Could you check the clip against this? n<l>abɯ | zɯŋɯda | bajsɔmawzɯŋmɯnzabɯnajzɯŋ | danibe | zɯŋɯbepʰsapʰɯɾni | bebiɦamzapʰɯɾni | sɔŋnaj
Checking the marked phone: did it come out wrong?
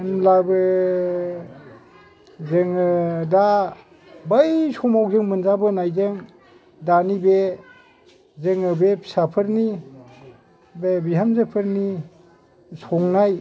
no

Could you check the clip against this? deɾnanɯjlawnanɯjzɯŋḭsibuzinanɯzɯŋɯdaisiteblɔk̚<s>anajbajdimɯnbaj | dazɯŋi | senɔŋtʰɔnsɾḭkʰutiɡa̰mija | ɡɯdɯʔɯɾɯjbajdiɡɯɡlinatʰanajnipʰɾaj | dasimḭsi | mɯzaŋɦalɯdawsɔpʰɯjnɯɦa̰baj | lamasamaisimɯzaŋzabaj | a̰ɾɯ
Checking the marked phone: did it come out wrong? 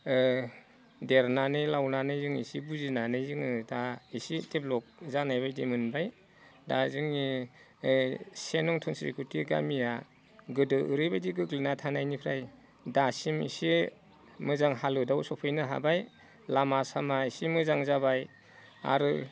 yes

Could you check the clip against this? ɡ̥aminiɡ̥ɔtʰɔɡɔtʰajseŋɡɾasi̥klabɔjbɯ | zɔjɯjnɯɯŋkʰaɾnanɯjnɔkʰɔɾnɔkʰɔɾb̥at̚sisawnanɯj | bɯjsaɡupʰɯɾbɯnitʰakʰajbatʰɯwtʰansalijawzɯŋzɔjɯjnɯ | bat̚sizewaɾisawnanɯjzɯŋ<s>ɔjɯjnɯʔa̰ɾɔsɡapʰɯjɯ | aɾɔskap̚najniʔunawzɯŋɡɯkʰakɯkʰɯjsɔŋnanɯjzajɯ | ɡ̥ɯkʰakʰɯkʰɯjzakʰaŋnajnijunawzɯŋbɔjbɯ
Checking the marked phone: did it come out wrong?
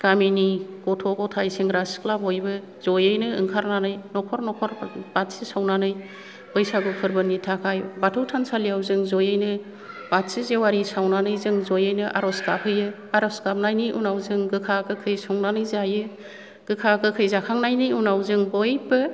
yes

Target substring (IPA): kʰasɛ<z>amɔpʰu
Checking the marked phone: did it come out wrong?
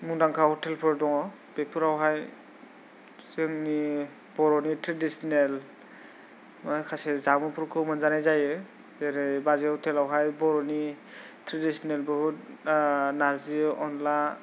no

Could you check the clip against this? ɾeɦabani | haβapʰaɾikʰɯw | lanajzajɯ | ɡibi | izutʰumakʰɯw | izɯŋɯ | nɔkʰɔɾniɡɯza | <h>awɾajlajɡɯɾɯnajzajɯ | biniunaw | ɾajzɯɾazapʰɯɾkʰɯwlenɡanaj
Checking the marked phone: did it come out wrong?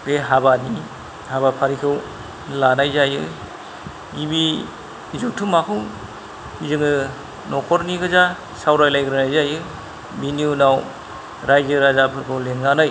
yes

